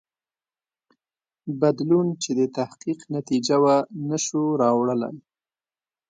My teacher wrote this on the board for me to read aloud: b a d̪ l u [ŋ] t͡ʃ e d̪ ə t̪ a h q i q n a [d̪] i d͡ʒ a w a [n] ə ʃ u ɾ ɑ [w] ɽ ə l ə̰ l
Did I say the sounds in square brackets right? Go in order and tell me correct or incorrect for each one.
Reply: incorrect, incorrect, correct, correct

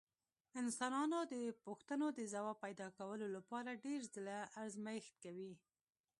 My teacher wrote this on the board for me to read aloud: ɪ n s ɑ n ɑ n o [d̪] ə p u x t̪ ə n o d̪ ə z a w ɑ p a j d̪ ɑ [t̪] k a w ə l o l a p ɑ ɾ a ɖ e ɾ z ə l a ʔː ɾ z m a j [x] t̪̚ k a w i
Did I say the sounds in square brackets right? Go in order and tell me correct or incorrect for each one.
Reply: correct, incorrect, correct

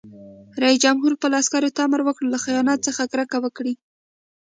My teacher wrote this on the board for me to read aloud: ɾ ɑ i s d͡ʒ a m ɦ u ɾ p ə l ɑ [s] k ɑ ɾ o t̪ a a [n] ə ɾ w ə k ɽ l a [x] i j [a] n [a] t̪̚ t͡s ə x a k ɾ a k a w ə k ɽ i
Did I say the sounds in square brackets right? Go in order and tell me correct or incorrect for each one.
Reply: correct, incorrect, correct, incorrect, incorrect

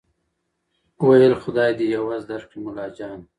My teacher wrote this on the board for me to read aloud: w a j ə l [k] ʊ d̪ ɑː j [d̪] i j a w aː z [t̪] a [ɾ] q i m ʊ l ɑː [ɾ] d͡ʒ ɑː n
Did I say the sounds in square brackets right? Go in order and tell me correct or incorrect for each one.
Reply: incorrect, correct, incorrect, correct, incorrect

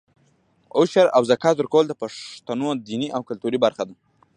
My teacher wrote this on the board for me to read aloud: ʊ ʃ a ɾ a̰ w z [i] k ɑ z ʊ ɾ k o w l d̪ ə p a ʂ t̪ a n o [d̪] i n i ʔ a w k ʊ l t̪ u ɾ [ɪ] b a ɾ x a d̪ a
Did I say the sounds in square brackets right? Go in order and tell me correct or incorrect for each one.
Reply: incorrect, correct, incorrect

